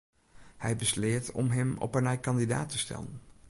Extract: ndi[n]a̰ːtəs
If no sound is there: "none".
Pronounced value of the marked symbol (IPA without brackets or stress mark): d